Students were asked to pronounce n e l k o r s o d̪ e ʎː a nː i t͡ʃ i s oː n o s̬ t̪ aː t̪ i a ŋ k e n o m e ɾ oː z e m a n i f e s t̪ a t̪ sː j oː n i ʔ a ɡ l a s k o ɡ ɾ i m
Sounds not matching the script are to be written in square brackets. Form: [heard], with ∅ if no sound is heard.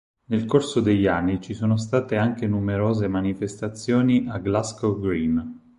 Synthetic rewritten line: n e l k o r s o d̪ e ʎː a nː i t͡ʃ i s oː n o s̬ t̪ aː t̪ [e] a ŋ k e n [u] m e ɾ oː z e m a n i f e s t̪ a t̪ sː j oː n i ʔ a ɡ l a s k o ɡ ɾ i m